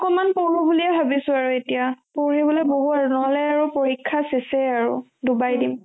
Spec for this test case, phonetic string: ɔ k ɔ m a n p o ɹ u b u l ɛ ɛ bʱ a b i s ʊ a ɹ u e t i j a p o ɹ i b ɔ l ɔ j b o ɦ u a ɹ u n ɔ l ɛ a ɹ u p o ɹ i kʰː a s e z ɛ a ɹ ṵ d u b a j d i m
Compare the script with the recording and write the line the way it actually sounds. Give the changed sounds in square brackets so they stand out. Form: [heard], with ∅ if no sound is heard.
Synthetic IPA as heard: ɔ k ɔ m a n p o ɹ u b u l [i] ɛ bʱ a b i s ʊ a ɹ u e t i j a p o ɹ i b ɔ l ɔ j b o ɦ u a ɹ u n ɔ l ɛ a ɹ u p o ɹ i kʰː a s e [s] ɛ a ɹ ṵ d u b a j d i m